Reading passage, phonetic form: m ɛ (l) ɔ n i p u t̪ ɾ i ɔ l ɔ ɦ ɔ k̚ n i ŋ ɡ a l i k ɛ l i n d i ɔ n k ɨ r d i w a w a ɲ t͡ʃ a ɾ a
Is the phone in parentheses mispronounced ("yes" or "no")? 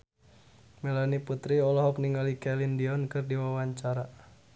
no